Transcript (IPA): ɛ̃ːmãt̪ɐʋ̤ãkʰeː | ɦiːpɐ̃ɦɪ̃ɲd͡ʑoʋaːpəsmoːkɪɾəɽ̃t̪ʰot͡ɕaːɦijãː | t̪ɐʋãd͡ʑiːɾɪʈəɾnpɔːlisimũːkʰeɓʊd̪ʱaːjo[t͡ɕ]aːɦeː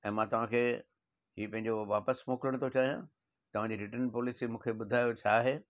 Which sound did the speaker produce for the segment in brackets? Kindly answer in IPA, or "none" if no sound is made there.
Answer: t͡ɕʰ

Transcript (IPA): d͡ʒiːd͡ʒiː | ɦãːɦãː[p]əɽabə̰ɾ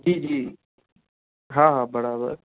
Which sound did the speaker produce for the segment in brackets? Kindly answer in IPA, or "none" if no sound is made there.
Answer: b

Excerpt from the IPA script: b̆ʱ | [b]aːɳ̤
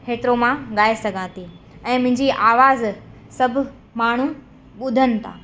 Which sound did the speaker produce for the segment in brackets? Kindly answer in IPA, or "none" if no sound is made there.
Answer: m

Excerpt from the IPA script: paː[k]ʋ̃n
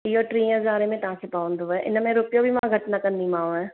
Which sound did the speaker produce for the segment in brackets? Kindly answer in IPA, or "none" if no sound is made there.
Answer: none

